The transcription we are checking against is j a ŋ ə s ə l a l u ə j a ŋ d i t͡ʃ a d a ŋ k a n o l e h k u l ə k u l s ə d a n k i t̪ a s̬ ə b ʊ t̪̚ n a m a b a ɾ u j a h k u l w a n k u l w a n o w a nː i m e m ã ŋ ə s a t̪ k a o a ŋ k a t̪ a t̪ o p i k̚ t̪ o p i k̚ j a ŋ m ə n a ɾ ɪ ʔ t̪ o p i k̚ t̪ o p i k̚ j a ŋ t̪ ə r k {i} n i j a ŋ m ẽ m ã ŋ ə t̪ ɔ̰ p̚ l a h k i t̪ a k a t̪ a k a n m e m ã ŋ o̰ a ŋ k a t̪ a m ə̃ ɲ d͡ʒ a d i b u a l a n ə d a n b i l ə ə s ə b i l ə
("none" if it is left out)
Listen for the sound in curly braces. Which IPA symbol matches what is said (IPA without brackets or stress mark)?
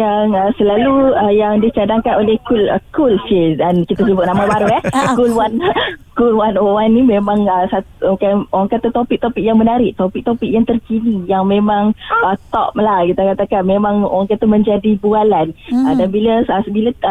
i